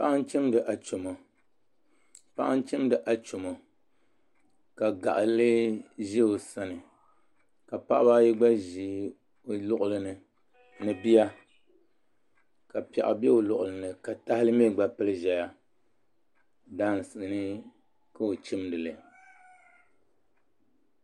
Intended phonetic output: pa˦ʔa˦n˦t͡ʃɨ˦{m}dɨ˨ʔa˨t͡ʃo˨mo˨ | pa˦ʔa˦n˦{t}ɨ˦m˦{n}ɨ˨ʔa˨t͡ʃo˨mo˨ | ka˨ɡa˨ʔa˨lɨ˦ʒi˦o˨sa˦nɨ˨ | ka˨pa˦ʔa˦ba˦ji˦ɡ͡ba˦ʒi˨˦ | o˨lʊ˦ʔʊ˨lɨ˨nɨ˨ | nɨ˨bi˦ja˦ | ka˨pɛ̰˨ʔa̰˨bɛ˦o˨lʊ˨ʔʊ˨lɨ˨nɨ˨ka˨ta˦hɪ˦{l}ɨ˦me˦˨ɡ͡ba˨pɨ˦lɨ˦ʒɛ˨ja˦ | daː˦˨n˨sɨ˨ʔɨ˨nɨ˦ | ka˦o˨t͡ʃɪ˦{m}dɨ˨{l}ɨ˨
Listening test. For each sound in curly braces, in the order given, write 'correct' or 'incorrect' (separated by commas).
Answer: correct, incorrect, incorrect, correct, correct, correct